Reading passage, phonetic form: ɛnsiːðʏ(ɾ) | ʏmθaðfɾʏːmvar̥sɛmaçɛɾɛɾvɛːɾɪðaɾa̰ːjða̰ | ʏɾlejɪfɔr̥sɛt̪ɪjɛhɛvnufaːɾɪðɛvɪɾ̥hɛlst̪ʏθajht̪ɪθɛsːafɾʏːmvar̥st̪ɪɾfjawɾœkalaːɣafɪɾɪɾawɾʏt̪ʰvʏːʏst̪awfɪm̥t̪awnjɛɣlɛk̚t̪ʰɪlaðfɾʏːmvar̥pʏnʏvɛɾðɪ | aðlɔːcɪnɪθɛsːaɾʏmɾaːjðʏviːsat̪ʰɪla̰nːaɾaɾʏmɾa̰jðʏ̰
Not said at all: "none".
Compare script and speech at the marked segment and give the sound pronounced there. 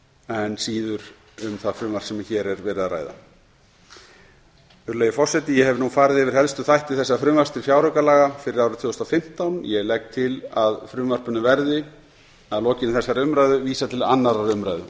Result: ɾ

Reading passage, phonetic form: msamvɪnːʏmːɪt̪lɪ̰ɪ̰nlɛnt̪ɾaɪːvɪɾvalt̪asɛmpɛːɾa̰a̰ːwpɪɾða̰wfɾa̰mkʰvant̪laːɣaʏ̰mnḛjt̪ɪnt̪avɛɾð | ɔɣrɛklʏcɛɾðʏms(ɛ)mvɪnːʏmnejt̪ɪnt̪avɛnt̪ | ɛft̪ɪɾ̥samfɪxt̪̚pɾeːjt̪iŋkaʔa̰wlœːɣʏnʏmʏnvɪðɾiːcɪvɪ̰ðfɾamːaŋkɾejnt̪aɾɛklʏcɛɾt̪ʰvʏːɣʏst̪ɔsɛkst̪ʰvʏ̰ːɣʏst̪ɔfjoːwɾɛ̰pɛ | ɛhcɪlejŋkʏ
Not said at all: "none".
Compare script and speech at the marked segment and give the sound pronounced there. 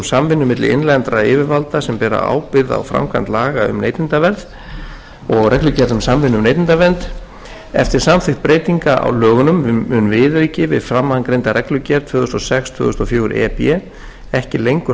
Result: a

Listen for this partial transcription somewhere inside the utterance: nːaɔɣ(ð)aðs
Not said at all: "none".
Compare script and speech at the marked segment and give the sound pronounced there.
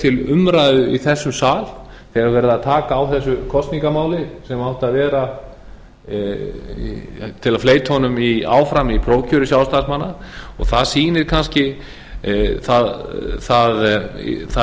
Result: θ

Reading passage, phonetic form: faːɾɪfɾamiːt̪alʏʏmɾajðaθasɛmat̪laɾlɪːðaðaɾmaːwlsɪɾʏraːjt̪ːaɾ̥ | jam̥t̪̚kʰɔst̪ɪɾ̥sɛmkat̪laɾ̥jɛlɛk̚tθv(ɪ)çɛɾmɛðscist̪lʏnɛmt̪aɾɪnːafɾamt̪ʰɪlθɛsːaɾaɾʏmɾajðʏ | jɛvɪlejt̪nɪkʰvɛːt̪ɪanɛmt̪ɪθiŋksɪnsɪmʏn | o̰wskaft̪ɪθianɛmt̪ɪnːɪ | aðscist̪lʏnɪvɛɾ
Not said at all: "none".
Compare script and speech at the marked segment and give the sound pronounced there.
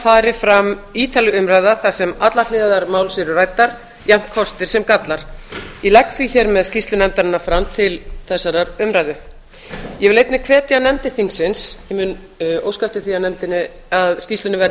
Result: i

